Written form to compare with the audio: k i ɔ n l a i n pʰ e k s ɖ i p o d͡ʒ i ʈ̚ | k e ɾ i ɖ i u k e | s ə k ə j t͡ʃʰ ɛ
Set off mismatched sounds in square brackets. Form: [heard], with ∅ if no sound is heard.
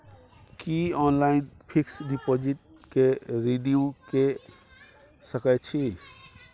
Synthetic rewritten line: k i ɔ n l a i n pʰ [i] k s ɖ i p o d͡ʒ i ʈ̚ | k e ɾ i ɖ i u k e | s ə k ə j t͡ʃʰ [i]